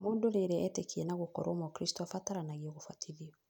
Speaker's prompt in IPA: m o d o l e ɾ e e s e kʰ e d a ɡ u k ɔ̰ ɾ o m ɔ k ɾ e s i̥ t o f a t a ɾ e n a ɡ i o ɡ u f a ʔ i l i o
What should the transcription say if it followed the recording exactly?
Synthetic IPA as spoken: m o d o l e ɾ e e t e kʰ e n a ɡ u k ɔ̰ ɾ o m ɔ k ɾ i s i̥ t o f a t a ɾ a n a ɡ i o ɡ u f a t i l i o